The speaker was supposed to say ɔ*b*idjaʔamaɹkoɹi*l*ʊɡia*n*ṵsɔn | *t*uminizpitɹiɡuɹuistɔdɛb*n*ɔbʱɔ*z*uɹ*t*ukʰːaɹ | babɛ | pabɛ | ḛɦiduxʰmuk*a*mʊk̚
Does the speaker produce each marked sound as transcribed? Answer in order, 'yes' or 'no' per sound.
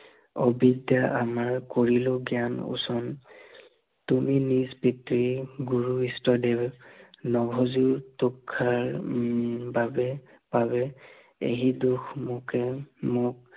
yes, yes, yes, yes, yes, yes, yes, no

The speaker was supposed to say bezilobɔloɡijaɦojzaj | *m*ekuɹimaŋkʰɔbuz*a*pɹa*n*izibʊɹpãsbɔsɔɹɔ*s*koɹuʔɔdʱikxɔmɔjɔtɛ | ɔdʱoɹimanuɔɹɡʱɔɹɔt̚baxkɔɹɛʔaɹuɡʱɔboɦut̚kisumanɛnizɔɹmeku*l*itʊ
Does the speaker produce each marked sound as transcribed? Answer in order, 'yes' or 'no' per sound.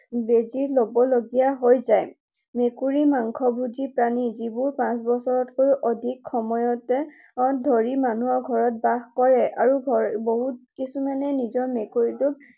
yes, no, yes, no, no

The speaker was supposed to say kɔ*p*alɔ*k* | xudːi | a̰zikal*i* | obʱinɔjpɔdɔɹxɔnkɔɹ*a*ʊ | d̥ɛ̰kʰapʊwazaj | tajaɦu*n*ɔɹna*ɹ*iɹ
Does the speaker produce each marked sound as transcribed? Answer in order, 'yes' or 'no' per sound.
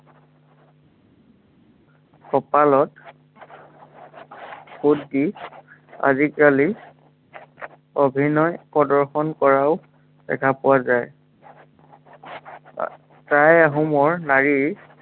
yes, no, yes, yes, no, yes

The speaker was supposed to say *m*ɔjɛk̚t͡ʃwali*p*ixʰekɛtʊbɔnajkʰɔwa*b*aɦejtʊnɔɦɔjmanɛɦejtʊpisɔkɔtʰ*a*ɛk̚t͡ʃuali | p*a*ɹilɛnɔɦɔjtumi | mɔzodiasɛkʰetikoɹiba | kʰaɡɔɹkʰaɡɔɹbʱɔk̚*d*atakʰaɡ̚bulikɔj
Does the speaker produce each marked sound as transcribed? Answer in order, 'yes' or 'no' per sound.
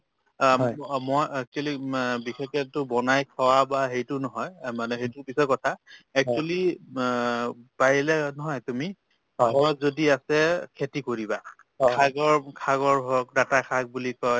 yes, no, yes, yes, yes, yes

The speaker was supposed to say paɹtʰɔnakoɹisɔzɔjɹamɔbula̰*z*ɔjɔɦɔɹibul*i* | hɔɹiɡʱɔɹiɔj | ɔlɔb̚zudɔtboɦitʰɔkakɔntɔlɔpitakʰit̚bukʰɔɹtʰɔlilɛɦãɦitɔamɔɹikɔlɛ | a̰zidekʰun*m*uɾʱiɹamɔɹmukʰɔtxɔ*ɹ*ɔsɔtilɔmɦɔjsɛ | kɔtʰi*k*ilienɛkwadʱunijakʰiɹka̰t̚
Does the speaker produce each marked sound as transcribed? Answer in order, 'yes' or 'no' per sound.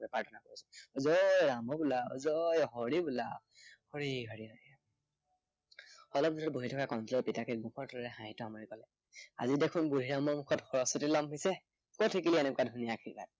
yes, no, no, yes, yes

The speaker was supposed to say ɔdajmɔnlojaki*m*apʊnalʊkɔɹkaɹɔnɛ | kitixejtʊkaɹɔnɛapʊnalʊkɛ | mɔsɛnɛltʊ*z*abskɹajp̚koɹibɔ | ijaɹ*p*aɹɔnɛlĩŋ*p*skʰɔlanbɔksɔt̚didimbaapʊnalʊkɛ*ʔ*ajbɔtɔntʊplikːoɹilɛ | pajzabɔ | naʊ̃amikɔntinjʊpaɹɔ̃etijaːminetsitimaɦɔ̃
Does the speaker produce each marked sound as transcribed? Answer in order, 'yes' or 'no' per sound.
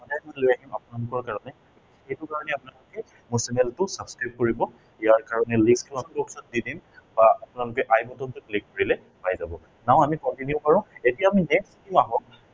yes, no, no, no, yes

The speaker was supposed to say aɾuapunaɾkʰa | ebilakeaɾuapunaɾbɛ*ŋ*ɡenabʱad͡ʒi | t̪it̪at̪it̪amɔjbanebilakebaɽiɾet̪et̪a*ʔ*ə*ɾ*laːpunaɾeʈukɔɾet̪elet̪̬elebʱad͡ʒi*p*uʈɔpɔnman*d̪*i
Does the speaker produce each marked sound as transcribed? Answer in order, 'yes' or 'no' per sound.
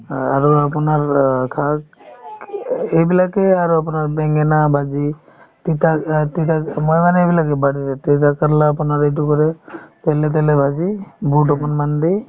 yes, no, yes, no, yes

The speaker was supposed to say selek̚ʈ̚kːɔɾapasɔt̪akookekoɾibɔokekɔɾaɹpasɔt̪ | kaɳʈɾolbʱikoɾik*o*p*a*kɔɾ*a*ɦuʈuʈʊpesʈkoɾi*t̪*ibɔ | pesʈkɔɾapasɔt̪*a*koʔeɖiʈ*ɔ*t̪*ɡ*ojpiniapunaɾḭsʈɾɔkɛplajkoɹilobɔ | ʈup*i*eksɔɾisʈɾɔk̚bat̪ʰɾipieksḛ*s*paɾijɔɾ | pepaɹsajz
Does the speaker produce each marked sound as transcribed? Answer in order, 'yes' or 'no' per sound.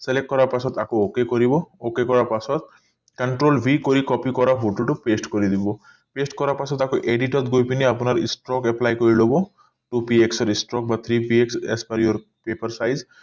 no, no, yes, no, yes, yes, yes, yes, yes

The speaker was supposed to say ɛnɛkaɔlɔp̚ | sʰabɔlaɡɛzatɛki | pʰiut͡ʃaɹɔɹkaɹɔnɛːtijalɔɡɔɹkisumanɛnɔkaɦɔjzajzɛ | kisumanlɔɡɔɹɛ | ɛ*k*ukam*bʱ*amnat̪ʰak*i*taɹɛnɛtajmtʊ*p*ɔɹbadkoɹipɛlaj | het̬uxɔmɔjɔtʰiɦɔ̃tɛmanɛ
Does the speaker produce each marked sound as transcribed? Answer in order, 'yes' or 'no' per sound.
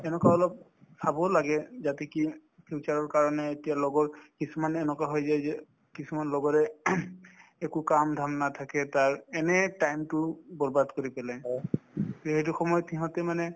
yes, no, no, no

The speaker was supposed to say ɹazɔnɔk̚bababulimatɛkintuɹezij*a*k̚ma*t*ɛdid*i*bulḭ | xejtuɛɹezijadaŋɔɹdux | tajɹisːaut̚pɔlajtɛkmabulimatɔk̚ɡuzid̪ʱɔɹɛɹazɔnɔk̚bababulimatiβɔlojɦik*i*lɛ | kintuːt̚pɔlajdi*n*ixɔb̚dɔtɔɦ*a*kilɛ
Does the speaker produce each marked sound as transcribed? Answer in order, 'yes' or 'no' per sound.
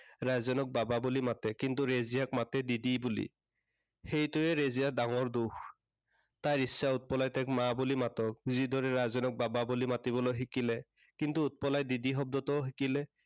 yes, yes, yes, yes, no, no

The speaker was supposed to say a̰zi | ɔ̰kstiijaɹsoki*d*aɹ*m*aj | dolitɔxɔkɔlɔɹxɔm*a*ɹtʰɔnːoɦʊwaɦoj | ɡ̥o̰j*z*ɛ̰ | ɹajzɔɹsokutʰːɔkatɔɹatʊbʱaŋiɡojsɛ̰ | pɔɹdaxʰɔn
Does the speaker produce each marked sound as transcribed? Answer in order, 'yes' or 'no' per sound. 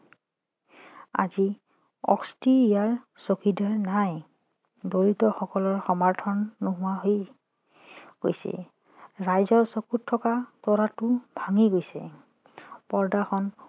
yes, no, yes, no

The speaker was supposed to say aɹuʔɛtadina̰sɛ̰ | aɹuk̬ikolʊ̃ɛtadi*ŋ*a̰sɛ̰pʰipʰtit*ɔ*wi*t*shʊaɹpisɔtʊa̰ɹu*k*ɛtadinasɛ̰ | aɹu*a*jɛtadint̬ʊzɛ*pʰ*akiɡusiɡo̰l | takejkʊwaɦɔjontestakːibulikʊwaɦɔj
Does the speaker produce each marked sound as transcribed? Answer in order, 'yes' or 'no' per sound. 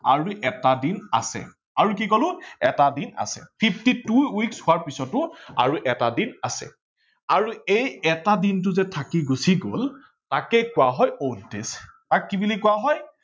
no, no, no, no, no, no

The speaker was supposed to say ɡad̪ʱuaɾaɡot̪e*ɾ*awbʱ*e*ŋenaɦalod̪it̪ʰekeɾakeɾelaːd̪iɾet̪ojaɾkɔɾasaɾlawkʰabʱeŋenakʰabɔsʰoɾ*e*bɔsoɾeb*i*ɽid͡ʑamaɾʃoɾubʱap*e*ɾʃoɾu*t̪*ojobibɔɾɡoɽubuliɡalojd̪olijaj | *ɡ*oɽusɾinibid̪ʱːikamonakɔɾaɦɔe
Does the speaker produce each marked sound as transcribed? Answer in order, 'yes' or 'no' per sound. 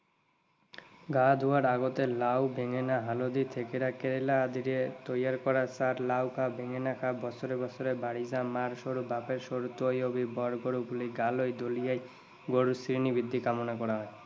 no, yes, yes, no, yes, yes, yes

